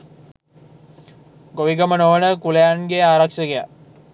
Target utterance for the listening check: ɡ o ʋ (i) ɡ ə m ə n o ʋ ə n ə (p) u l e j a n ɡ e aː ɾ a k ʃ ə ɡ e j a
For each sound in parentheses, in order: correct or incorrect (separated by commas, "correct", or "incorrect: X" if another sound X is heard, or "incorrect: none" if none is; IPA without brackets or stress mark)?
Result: correct, incorrect: k